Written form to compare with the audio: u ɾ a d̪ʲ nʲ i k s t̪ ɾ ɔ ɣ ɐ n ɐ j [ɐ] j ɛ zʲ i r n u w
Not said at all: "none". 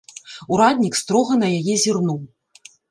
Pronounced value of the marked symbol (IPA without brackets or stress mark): a